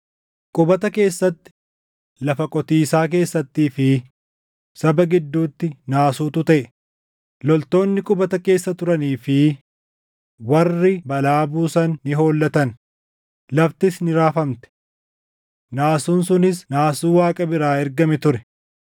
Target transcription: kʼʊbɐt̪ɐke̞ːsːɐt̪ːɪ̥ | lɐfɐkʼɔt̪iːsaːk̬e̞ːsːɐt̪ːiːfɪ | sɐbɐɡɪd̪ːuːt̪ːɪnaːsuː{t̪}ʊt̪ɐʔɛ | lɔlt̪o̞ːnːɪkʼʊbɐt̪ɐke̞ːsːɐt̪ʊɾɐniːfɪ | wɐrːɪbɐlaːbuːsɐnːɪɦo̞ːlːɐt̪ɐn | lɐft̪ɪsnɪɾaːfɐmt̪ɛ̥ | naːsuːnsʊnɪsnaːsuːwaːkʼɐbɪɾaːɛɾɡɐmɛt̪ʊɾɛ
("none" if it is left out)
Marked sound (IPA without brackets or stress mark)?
t̪